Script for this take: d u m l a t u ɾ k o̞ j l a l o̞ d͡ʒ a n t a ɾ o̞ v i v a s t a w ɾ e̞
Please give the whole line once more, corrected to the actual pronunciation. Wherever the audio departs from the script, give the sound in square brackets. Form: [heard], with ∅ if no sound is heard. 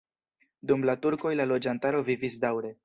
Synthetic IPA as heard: d u m l a t u ɾ k o̞ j l a l o̞ d͡ʒ a n t a ɾ o̞ v i v [i] s [d] a w ɾ e̞